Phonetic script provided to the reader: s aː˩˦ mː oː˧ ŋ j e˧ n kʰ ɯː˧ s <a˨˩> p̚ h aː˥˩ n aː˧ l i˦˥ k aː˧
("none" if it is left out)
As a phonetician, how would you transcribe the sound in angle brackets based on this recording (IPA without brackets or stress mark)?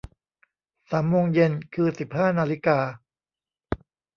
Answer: i˨˩